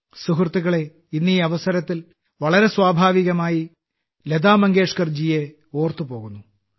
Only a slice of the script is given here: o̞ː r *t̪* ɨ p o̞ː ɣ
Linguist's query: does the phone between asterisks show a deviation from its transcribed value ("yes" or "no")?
no